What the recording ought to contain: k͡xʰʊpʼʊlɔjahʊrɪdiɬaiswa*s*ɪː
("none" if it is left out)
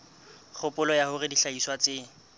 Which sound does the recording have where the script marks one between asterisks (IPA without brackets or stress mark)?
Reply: t͡s